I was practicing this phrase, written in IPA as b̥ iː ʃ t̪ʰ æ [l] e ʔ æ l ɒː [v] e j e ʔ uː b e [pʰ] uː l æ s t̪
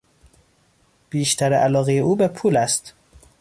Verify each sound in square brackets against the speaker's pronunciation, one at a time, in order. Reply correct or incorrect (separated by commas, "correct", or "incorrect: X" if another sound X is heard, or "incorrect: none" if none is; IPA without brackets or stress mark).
incorrect: ɾ, incorrect: ɣ, correct